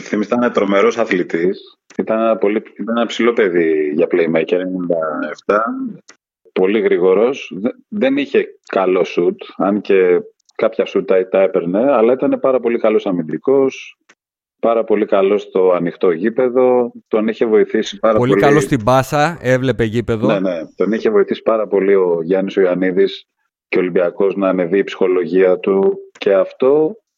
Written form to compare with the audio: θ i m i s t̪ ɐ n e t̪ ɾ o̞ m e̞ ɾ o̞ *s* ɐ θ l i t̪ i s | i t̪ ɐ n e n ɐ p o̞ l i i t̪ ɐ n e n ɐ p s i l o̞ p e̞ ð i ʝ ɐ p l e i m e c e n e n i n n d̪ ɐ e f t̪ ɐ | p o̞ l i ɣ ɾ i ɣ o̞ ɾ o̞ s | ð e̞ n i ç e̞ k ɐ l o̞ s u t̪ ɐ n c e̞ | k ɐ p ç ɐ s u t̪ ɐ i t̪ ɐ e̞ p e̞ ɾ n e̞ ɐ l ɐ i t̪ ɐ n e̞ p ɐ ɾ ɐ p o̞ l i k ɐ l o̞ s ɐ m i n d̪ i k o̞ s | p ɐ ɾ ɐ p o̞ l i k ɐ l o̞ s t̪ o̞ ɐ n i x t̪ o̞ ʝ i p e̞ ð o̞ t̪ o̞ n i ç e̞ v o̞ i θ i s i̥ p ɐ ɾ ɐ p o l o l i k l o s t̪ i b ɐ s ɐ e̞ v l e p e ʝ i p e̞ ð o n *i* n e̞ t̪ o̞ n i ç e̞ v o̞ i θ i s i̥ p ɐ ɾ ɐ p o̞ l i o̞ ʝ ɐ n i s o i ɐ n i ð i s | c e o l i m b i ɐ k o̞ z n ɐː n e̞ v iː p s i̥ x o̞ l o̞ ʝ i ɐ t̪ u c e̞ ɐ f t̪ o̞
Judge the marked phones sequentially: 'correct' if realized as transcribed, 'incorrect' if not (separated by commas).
correct, incorrect